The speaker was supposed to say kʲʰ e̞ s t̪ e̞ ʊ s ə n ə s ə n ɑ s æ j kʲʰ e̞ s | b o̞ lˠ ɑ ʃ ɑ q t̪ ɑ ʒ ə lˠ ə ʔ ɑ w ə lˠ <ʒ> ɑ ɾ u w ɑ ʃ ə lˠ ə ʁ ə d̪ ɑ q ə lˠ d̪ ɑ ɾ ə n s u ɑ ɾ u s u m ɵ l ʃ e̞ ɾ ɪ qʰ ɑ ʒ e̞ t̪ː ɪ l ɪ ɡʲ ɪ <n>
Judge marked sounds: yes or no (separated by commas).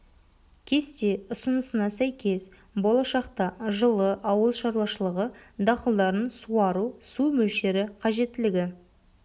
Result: no, no